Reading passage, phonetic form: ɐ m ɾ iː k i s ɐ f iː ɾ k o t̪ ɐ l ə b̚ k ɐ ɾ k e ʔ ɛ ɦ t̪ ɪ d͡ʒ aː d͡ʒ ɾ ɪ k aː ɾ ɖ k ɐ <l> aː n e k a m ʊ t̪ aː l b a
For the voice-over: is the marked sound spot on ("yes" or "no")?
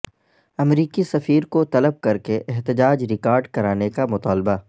no